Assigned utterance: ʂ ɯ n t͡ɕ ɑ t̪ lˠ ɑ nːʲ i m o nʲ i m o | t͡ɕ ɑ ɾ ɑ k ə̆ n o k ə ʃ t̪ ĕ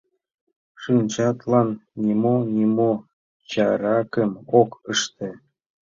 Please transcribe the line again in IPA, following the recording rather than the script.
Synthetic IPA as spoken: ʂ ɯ n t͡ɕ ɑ t̪ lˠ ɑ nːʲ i m o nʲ i m o | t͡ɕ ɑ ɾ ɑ k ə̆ m o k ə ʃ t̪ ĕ